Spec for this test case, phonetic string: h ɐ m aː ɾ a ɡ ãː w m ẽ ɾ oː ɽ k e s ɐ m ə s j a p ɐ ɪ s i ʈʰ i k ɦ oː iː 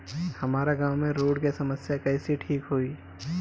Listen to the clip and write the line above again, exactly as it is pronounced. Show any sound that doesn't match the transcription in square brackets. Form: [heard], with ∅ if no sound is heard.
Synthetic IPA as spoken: h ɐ m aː ɾ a ɡ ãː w m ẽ ɾ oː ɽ k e s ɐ m ə s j a [k] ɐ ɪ s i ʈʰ [iː] k ɦ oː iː